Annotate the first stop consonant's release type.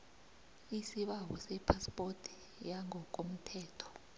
implosive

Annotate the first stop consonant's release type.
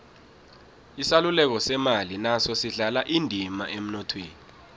plain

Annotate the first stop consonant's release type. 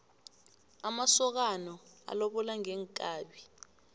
plain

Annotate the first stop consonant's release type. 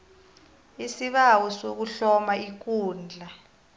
implosive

